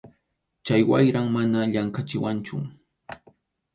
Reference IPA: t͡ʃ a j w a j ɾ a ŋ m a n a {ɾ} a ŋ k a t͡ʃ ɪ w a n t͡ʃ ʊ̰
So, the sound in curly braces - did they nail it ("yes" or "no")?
no